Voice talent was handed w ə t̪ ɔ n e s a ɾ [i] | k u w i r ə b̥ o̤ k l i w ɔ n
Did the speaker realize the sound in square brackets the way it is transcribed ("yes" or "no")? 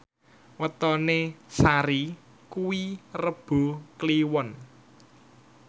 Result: yes